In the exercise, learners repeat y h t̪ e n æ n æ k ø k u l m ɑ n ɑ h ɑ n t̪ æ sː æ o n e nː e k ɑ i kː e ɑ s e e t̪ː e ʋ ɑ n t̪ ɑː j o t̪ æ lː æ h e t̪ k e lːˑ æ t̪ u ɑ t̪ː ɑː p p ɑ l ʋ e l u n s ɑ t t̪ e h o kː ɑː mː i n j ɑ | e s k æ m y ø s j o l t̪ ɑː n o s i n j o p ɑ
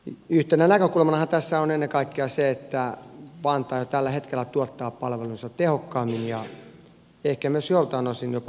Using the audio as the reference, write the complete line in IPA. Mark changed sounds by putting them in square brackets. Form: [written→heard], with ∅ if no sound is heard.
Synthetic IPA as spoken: y h t̪ e n æ n æ k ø k u l m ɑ n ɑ h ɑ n t̪ æ sː æ o n e nː e k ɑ i kː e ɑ s e e t̪ː [e→æ] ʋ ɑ n t̪ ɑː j o t̪ æ lː æ h e t̪ k e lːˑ æ t̪ u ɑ t̪ː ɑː p p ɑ l ʋ e l u n s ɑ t t̪ e h o kː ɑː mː i n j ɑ | e [s→h] k æ m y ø s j o l t̪ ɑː n o s i n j o p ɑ